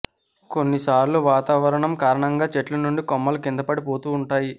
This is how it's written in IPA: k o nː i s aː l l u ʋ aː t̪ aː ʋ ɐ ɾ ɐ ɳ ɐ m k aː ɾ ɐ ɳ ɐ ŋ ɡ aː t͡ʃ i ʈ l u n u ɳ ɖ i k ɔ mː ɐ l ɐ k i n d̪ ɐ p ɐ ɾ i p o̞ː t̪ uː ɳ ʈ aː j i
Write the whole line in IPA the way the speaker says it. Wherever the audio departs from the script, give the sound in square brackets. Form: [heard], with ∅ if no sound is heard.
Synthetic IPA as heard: k o nː i s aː [ɾ] l u ʋ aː t̪ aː ʋ ɐ ɾ ɐ ɳ ɐ m k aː ɾ ɐ ɳ ɐ ŋ ɡ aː t͡ʃ [e] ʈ l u n u ɳ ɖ i k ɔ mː ɐ l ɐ k i n d̪ ɐ p ɐ [ɽ] i p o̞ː t̪ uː ɳ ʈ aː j i